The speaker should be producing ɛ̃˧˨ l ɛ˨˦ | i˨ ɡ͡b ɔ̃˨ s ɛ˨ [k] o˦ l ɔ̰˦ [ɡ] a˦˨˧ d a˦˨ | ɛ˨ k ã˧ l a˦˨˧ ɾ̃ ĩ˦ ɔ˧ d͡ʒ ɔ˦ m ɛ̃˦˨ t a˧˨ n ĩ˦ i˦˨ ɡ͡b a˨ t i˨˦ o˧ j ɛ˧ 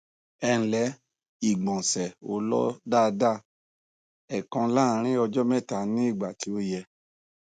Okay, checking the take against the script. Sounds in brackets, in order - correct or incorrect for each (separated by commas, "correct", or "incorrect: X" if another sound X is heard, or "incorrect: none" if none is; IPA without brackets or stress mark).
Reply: incorrect: none, incorrect: d